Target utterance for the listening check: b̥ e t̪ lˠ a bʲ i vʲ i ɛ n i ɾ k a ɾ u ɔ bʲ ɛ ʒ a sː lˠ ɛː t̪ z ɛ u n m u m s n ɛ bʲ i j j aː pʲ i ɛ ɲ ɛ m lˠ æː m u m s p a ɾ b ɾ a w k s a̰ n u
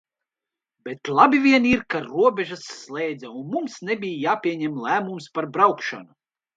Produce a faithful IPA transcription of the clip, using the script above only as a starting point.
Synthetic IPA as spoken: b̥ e t̪ lˠ a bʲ i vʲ i ɛ n i ɾ k a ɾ u ɔ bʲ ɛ ʒ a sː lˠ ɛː d̪ z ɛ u n m u m s n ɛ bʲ i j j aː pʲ i ɛ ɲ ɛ m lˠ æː m u m s p a ɾ b ɾ a w k ʃ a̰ n u